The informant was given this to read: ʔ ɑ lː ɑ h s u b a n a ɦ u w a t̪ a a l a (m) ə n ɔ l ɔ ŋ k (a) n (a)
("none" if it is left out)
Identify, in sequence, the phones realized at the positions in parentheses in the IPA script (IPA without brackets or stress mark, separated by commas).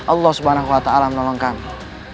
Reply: m, a, i